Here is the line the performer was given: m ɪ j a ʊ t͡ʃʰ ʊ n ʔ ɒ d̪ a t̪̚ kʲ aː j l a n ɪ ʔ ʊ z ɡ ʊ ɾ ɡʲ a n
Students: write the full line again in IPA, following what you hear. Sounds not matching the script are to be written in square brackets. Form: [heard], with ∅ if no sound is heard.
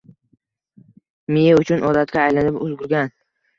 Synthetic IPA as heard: m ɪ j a ʊ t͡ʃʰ ʊ n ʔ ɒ d̪ a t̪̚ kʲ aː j l a n ɪ [p] ʊ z ɡ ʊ ɾ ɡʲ a n